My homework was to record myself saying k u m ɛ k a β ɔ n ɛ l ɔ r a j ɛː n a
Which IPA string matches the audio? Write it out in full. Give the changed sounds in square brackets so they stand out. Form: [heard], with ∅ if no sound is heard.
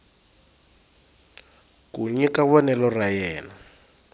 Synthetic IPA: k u [ɲ] ɛ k a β ɔ n ɛ l ɔ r a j ɛː n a